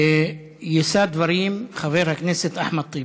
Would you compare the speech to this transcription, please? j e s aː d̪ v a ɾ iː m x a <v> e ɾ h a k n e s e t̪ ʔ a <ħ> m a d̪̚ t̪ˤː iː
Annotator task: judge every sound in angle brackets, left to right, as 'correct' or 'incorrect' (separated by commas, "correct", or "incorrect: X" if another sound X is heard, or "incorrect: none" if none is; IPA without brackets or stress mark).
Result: correct, correct